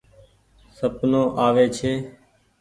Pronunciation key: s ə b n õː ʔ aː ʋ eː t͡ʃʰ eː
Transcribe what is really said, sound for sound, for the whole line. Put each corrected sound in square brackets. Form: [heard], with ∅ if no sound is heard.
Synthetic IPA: s ə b n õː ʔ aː ʋ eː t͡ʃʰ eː